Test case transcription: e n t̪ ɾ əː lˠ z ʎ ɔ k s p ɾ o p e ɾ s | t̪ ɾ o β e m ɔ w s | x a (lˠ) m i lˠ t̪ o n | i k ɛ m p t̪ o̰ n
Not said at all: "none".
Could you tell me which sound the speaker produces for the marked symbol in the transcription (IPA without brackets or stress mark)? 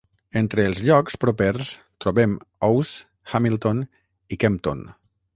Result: none